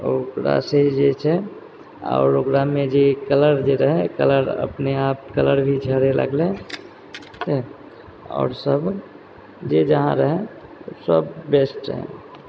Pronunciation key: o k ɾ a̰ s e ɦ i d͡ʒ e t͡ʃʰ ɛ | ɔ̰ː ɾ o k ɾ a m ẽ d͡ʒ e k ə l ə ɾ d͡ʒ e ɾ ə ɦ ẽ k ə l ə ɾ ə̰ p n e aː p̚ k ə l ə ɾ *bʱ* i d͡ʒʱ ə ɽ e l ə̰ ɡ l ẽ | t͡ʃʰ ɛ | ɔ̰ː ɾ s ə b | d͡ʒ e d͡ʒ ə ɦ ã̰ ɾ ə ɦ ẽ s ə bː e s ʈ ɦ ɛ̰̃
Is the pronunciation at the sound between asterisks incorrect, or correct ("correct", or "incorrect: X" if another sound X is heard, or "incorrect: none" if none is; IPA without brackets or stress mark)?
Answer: correct